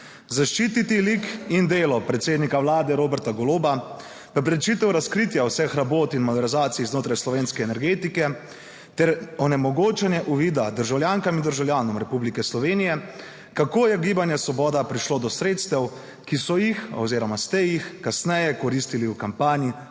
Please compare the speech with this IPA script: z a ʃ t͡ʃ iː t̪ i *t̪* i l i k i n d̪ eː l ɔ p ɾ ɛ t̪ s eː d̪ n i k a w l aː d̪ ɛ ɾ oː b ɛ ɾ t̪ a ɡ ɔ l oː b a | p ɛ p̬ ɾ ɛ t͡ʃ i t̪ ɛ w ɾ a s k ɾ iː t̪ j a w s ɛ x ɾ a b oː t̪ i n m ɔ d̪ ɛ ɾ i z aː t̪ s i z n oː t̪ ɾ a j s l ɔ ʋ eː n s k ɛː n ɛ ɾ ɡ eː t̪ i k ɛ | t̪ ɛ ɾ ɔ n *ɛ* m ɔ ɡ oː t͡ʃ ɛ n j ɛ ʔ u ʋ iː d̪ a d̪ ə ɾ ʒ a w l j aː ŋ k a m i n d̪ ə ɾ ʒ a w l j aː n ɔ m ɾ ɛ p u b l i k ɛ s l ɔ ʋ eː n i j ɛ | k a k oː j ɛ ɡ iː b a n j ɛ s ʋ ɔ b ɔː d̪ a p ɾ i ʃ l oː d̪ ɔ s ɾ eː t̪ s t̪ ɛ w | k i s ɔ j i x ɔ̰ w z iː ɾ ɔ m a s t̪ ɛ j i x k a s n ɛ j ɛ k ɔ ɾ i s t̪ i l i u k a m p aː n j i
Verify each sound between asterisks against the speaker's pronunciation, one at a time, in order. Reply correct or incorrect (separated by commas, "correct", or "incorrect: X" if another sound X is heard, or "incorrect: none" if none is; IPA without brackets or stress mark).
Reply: correct, correct